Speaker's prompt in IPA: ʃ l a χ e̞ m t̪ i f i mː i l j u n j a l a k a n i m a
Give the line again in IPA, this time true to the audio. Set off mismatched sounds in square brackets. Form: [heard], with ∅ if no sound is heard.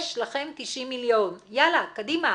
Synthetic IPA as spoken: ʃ l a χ e̞ m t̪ i [ʃ] i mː i l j [o] n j a l a k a [d] i m a